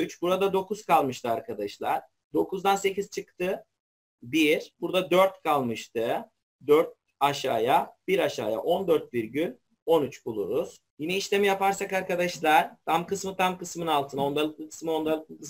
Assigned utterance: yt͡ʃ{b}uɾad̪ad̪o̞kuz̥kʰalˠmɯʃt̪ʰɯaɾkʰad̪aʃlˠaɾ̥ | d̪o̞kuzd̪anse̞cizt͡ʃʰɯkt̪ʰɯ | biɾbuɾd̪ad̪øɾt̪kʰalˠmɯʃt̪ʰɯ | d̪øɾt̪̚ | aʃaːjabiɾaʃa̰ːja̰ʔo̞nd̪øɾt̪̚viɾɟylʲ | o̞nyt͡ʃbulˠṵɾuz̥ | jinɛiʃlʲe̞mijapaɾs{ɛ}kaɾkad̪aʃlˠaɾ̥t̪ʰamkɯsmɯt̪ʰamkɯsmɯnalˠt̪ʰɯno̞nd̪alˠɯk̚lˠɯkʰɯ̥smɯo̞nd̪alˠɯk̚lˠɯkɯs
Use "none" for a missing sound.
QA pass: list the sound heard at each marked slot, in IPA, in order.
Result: b, a

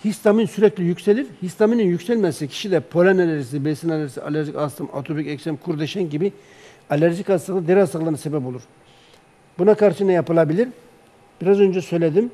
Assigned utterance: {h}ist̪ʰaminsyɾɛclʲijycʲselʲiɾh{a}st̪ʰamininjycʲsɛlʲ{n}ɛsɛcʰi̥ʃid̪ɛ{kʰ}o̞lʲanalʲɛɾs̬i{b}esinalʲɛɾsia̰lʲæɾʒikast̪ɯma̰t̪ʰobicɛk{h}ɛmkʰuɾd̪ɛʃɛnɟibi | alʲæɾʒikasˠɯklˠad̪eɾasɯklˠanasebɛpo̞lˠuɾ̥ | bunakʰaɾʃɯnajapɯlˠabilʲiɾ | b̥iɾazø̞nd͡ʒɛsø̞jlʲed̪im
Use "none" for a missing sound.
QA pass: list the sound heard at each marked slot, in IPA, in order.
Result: h, i, m, pʰ, b, s

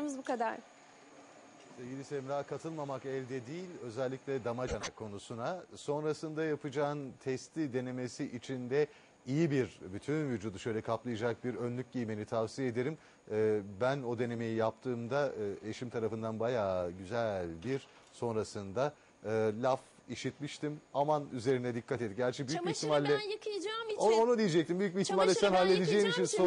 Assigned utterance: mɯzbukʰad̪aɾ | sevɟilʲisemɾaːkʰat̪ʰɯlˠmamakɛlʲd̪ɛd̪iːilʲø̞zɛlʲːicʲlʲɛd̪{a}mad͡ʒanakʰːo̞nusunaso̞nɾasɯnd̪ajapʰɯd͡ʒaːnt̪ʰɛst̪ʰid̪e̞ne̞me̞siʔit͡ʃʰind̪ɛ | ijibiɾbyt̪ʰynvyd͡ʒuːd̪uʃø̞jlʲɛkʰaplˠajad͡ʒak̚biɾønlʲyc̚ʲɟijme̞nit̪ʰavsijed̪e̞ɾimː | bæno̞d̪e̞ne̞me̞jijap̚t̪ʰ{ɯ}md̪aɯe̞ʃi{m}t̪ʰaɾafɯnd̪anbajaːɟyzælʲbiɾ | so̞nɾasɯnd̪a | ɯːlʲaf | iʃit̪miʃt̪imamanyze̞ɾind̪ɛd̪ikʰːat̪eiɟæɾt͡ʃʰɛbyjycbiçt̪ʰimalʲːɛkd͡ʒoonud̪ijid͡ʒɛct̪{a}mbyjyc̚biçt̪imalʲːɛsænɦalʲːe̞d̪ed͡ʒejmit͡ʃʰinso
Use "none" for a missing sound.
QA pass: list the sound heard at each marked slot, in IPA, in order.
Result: a, ɯː, m, i

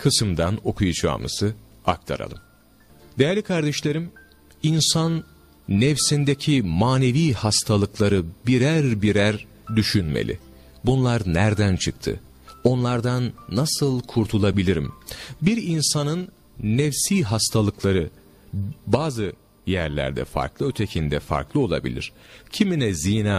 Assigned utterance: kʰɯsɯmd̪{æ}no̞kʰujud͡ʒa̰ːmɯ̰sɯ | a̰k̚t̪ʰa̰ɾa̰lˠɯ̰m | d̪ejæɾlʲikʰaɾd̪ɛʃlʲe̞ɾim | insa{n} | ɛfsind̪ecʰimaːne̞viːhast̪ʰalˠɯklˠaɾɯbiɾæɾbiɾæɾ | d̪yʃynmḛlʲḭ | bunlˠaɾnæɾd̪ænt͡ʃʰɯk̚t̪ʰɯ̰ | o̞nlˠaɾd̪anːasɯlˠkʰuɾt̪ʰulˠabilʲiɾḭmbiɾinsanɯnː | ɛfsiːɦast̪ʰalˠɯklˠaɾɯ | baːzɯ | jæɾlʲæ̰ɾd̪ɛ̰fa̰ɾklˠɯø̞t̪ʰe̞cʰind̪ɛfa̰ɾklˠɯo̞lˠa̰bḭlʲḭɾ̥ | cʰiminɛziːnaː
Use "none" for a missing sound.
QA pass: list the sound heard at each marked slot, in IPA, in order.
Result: a, nː

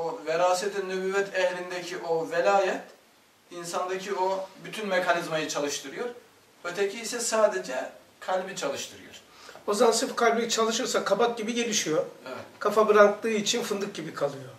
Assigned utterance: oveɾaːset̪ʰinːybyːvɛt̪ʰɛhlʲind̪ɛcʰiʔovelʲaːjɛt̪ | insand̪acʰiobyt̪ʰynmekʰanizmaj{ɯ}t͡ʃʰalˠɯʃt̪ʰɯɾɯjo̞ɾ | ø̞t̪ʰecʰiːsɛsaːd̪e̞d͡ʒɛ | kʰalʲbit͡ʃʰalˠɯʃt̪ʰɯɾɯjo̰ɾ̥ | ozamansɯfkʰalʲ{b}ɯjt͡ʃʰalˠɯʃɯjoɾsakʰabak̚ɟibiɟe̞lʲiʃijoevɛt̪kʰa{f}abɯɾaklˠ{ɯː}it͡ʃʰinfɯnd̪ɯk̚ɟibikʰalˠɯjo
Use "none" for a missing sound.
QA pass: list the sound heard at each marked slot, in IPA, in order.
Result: ɯ, b, f, ɯː

